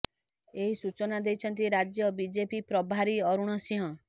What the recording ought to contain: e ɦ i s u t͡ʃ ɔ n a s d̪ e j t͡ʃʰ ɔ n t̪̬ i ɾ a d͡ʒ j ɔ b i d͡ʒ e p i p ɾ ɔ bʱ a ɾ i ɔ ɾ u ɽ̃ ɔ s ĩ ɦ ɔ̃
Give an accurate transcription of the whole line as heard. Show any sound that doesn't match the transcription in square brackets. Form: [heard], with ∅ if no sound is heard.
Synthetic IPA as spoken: e ɦ i s u t͡ʃ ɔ n a [∅] d̪ e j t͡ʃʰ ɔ n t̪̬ i ɾ a d͡ʒ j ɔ b i d͡ʒ e p i p ɾ ɔ bʱ a ɾ i ɔ ɾ u ɽ̃ ɔ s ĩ ɦ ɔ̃